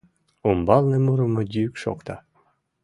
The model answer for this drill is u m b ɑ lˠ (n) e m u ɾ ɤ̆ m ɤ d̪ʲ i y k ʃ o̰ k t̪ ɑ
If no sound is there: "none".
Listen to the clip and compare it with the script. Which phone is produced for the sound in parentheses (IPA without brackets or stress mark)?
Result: n